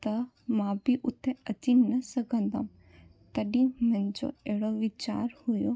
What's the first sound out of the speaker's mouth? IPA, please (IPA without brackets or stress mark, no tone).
t̪